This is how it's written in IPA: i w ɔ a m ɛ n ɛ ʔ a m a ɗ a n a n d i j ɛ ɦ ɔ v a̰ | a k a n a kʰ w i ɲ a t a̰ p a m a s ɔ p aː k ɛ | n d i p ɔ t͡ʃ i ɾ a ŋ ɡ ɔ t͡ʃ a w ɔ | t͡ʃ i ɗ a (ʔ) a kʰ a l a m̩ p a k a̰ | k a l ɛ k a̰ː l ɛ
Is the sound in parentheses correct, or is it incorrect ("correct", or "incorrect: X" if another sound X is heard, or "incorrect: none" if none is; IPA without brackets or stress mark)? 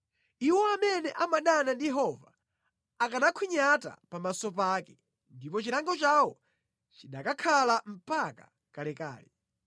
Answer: incorrect: k